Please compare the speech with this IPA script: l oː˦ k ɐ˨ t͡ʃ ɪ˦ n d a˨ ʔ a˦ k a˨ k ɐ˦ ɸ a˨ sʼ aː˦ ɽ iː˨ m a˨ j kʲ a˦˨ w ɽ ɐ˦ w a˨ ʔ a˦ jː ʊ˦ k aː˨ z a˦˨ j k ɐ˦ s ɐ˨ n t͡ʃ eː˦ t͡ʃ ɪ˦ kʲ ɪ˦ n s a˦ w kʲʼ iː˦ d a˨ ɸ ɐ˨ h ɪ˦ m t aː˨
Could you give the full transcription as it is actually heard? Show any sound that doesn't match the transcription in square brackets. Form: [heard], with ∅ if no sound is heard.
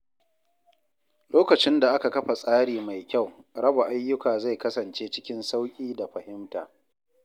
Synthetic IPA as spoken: l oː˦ k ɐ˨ t͡ʃ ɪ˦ n d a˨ ʔ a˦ k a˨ k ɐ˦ ɸ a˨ sʼ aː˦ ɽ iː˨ m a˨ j kʲ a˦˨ w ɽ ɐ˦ [b] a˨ ʔ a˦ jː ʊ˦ k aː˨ z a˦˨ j k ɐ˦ s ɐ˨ n t͡ʃ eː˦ t͡ʃ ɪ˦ kʲ ɪ˦ n s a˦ w kʲʼ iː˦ d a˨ ɸ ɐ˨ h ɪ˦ m t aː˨